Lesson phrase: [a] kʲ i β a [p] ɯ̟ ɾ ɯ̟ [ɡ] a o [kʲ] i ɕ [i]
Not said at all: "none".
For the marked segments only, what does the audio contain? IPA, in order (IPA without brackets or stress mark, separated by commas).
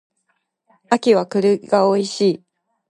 a, k, ɡ, none, iː